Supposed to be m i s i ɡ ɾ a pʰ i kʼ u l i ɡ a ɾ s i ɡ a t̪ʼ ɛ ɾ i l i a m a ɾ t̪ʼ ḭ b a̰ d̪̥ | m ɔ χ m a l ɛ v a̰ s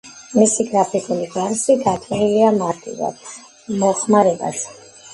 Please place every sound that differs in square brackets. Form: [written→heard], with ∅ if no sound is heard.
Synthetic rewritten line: m i s i ɡ ɾ a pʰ i kʼ u l i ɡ a ɾ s i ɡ a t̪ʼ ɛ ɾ i l i a m a ɾ t̪ʼ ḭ [b→v] a̰ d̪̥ | m ɔ χ m a [l→ɾ] ɛ [v→b] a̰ s